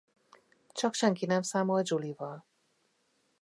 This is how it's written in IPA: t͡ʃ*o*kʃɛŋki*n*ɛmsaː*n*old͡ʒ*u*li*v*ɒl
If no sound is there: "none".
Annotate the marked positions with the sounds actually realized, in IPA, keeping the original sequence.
ɒ, n, m, u, v

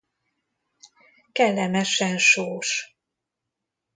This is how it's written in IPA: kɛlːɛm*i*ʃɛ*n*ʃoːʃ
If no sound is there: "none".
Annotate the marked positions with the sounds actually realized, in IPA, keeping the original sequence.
ɛ, n

